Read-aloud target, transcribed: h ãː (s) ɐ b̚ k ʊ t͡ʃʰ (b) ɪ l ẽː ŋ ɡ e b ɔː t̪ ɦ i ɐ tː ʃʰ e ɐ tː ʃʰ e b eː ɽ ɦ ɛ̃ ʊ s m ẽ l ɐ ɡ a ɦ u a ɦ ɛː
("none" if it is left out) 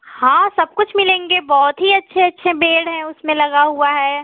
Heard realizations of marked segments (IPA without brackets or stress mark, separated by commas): s, m